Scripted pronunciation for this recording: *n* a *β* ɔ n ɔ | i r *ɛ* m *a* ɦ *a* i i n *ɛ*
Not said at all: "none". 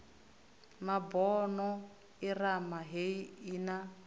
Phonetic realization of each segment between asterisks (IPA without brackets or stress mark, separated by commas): m, b, a, a, e, a